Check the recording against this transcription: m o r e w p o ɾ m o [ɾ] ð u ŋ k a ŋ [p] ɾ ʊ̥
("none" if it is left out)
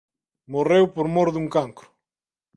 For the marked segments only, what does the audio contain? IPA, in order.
ɾ, k

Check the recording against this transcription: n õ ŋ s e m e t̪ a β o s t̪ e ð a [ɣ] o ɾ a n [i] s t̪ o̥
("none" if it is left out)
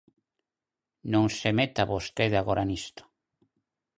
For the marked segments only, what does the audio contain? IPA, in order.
ɣ, i

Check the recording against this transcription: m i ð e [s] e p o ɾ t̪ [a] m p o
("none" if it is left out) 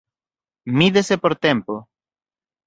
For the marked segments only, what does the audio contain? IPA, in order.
s, e

